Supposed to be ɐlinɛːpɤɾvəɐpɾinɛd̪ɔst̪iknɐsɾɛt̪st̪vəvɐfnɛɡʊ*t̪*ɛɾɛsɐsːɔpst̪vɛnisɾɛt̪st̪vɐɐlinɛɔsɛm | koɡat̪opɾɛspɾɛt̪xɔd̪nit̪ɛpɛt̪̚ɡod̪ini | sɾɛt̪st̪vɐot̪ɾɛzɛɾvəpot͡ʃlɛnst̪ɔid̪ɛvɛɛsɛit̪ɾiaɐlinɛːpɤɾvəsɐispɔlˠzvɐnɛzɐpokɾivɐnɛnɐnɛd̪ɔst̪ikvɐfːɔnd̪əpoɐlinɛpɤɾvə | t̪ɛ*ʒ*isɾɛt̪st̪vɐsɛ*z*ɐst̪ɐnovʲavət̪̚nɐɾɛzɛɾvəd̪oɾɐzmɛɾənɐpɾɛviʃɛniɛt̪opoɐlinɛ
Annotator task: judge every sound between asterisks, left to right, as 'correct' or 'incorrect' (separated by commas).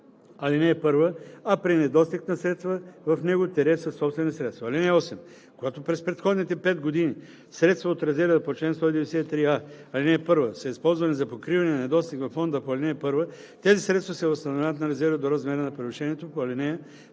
correct, incorrect, incorrect